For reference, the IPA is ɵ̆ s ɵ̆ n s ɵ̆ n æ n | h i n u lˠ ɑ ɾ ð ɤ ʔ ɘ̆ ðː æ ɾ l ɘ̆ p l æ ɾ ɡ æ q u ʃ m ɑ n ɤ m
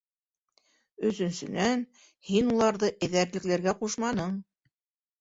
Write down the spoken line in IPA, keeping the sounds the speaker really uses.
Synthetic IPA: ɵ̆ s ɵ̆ n s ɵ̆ n æ n | h i n u lˠ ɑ ɾ ð ɤ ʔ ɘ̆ ð æ ɾ l ɘ̆ k l æ ɾ ɡ æ q u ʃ m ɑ n ɤ ɴ

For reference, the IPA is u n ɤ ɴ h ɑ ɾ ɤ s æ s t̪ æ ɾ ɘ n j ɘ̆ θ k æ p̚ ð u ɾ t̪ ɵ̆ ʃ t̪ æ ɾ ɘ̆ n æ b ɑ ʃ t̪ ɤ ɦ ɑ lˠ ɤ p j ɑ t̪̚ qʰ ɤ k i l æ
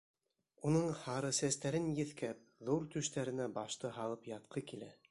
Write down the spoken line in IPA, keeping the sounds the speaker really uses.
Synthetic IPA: u n ɤ ɴ h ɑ ɾ ɤ s æ s t̪ æ ɾ ɘ n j ɘ̆ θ k æ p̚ ð u ɾ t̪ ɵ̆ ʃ t̪ æ ɾ ɘ̆ n æ b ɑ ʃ t̪ ɤ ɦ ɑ lˠ ɤ p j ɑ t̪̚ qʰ ɤ k i l æ

